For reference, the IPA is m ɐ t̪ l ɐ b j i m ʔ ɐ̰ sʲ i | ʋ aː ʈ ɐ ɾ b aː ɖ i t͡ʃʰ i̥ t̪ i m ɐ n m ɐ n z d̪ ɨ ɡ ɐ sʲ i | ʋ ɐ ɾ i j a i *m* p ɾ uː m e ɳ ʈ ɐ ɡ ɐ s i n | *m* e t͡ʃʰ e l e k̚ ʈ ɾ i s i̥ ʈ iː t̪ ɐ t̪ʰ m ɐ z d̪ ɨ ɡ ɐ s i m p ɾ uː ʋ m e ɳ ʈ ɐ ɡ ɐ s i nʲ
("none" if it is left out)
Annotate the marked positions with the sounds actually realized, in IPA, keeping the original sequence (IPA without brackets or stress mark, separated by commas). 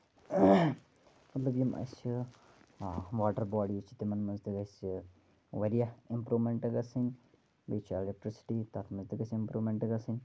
m, b